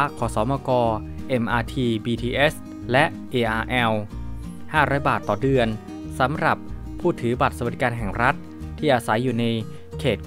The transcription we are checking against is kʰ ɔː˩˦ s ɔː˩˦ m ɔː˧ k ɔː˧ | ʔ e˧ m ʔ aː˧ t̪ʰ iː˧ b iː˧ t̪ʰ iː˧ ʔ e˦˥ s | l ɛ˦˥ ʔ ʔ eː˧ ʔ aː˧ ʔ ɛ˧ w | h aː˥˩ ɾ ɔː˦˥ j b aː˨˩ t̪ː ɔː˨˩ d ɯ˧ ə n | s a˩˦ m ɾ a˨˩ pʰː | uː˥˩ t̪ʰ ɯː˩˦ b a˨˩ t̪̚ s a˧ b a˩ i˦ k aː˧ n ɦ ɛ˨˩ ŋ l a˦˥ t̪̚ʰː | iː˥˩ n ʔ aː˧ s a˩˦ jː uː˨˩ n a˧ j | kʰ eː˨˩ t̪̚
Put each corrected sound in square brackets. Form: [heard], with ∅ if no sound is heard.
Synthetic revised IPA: kʰ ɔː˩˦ s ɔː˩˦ m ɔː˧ k ɔː˧ | ʔ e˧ m ʔ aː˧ t̪ʰ iː˧ b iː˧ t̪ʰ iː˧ ʔ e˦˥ s | l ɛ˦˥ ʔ ʔ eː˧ ʔ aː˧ ʔ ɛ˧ w | h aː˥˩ ɾ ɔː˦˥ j b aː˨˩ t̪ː ɔː˨˩ d ɯ˧ ə n | s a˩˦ m ɾ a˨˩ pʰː | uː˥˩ t̪ʰ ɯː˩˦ b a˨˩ t̪̚ s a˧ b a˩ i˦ k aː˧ n ɦ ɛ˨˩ ŋ [ɾ] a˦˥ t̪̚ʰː | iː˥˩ [∅] ʔ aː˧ s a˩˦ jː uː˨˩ n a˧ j | kʰ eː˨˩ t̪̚